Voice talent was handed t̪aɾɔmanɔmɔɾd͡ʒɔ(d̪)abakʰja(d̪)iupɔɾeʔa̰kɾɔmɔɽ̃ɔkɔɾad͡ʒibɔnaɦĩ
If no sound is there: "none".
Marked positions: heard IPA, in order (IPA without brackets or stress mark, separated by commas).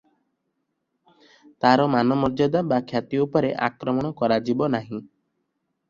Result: d̪, t̪